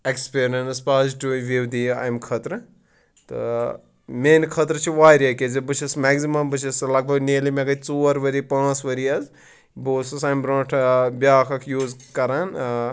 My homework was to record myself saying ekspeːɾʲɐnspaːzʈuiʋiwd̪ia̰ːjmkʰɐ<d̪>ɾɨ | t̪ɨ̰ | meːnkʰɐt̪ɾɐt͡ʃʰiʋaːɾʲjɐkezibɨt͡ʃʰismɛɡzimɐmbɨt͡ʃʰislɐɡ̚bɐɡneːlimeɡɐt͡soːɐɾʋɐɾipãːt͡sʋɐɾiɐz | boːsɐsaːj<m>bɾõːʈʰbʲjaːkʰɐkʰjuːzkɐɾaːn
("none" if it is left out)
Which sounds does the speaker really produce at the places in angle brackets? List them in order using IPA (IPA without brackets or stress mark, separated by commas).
t̪, m